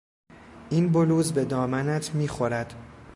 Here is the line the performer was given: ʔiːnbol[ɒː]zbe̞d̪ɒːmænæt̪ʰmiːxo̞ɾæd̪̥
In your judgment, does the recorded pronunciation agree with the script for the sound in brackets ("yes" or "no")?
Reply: no